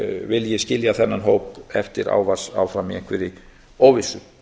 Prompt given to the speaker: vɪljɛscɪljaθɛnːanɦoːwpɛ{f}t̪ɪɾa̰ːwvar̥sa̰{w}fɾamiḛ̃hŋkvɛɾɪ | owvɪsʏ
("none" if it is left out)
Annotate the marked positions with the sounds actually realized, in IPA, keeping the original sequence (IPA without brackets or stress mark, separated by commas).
f, w